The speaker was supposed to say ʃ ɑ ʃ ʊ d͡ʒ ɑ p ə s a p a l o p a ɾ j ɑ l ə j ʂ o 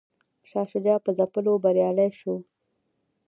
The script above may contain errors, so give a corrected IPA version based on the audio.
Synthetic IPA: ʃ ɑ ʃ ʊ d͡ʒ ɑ p ə z a p ə l o b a ɾ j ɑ l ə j ʃ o